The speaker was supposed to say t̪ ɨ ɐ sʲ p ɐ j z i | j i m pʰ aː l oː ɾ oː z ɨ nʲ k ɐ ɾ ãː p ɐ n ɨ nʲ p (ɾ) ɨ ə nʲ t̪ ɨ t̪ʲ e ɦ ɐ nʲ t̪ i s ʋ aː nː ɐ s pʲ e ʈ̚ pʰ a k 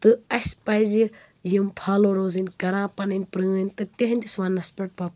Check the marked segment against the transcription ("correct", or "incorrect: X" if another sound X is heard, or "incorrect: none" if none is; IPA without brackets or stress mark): correct